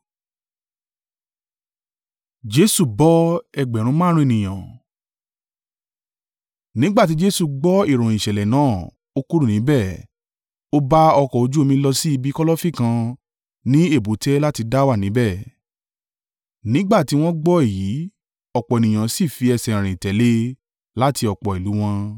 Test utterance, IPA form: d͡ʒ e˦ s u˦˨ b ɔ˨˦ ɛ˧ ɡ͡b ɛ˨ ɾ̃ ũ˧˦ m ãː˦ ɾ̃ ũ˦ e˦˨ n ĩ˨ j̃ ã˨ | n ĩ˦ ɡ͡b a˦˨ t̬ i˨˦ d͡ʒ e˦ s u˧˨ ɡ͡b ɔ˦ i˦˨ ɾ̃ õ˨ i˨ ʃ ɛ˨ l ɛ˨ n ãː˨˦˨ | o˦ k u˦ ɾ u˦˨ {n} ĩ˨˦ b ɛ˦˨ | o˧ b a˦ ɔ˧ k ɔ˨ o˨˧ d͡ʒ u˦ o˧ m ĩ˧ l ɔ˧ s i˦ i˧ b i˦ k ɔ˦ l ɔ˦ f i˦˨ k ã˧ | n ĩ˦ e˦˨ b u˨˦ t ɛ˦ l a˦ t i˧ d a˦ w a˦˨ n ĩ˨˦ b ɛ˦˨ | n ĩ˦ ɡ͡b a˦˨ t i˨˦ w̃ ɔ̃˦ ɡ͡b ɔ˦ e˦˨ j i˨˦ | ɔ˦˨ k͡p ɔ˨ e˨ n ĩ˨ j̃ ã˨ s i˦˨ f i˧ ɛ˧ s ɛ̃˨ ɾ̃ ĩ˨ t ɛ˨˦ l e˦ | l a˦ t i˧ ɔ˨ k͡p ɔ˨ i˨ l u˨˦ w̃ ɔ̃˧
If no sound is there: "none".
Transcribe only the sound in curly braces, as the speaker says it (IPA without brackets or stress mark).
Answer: n